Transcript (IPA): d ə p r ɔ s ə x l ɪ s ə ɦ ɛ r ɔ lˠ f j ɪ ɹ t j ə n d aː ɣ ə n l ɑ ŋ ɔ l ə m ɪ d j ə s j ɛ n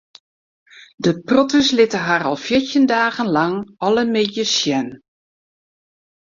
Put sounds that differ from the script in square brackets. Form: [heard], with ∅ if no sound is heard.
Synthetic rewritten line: d ə p r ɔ [t] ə [s] l ɪ [t] ə ɦ [a] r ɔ lˠ f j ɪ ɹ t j ə n d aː ɣ ə n l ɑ ŋ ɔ l ə m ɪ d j ə s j ɛ n